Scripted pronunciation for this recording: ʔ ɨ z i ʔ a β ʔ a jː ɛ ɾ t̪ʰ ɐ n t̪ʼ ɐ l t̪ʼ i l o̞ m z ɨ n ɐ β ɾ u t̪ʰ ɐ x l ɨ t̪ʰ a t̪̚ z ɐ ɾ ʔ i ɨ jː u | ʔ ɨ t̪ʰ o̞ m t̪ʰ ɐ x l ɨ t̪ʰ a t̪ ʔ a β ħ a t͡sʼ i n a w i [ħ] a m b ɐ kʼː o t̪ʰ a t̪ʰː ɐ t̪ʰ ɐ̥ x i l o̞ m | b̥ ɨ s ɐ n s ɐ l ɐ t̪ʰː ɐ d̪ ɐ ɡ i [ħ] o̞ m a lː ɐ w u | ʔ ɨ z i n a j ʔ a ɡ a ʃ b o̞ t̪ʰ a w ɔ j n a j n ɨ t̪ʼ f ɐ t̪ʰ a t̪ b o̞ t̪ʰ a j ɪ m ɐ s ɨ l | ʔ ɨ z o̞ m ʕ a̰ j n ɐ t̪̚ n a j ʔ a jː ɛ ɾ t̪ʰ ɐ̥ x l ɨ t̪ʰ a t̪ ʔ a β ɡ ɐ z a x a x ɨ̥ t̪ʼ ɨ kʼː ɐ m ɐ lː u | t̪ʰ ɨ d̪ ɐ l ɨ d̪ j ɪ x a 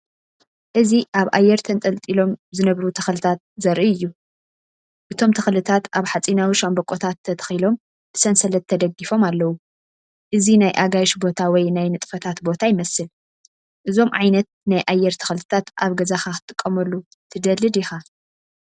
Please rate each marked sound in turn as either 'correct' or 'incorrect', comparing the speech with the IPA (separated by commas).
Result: incorrect, incorrect